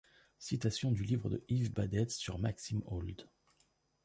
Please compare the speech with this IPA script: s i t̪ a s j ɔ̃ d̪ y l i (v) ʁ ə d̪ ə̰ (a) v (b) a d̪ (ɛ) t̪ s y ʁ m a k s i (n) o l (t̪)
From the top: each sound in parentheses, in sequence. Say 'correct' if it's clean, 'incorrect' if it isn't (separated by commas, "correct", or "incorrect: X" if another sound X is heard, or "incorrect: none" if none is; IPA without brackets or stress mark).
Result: correct, incorrect: i, correct, correct, incorrect: m, incorrect: d̪